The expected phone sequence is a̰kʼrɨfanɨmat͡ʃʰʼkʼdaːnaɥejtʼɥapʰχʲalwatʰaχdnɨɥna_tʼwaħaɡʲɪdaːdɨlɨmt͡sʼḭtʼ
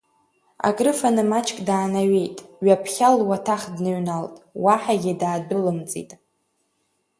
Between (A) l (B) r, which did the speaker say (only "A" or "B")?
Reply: A